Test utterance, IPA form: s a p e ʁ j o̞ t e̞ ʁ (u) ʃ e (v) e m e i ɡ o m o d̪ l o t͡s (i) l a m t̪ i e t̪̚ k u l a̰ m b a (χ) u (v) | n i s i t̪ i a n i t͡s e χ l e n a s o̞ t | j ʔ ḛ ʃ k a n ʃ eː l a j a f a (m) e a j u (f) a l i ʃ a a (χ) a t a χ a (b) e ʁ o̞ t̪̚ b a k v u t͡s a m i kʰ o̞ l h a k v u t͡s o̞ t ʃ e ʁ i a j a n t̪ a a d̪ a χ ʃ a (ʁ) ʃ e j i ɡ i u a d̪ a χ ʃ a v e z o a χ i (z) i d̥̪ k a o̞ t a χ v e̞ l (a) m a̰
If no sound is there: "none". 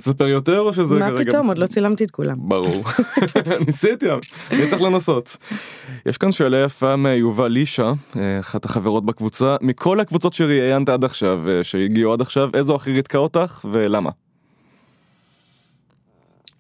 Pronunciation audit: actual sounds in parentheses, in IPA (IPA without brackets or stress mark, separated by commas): o, z, i, ʁ, ʁ, m, v, χ, v, v, ʁ, a